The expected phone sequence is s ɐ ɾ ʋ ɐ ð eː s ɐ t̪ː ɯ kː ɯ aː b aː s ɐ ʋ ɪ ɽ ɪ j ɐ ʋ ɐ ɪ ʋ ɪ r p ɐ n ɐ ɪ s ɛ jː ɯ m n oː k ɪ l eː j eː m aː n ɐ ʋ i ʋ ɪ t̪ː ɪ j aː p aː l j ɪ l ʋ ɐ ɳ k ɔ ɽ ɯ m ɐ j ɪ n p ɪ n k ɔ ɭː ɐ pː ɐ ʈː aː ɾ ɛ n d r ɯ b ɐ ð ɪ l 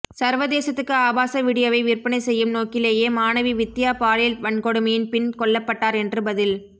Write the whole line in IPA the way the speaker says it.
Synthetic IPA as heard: s ɐ ɾ ʋ ɐ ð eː s ɐ t̪ː ɯ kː ɯ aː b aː s ɐ ʋ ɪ ɽ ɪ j ɐ ʋ ɐ ɪ ʋ ɪ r p ɐ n ɐ ɪ s ɛ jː ɯ m n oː k ɪ l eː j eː m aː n ɐ ʋ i ʋ ɪ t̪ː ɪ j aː p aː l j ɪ l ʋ ɐ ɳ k ɔ ɽ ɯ m ɐ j ɪ n p ɪ n k ɔ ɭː ɐ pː ɐ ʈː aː ɾ ɛ n d r ɯ b ɐ ð ɪ l